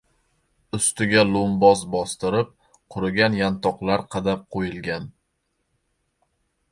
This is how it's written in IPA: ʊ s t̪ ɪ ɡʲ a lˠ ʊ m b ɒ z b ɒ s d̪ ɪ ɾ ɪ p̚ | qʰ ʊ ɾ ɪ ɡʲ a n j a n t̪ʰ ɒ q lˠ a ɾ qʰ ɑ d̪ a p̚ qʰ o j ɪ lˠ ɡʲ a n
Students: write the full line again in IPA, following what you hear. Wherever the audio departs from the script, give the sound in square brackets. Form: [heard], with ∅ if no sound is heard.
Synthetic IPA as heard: ʊ s t̪ ɪ ɡʲ a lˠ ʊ m b ɒ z b ɒ s [t̪] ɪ ɾ ɪ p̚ | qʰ ʊ ɾ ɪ ɡʲ a n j a n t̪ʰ ɒ q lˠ a ɾ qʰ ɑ d̪ a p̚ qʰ o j ɪ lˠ ɡʲ a n